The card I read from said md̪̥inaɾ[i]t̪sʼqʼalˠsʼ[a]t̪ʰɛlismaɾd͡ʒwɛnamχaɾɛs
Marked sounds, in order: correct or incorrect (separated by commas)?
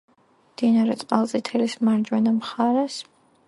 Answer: incorrect, incorrect